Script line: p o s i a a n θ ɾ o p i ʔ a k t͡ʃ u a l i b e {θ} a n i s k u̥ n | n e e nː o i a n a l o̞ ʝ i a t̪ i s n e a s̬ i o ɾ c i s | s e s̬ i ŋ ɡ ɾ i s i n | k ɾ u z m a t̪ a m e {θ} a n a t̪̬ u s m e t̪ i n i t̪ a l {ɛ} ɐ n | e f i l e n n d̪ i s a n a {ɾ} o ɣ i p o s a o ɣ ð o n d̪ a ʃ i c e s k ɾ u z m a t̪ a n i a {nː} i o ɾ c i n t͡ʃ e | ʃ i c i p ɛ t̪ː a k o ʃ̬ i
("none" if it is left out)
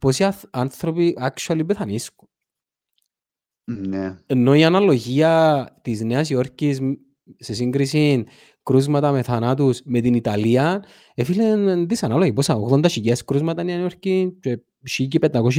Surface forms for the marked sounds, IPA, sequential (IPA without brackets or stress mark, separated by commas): θ, θ, i, l, n